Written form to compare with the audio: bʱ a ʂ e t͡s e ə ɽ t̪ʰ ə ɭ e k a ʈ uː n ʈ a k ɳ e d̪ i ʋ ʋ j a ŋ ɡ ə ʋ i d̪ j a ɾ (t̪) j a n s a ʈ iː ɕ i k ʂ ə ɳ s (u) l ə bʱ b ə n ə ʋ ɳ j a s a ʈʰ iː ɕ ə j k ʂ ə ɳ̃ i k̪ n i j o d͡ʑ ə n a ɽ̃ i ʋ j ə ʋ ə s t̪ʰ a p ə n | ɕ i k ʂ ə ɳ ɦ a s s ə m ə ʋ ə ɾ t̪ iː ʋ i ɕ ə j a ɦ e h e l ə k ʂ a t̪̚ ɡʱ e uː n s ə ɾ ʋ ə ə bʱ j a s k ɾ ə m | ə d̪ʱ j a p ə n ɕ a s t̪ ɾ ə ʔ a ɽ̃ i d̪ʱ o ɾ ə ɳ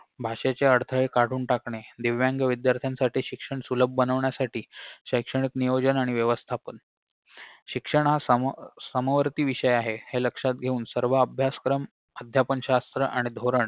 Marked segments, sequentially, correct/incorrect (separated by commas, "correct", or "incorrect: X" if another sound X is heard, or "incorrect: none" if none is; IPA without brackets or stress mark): incorrect: t̪ʰ, correct